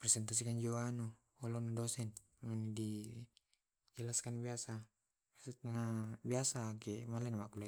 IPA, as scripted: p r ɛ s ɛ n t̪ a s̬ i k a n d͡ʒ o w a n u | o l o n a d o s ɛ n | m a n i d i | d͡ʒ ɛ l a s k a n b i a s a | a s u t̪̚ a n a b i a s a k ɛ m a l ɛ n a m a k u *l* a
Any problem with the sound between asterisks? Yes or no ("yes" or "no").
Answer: no